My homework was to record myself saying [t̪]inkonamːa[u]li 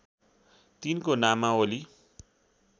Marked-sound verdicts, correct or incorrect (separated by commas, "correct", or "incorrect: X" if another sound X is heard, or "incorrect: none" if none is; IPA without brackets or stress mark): correct, incorrect: o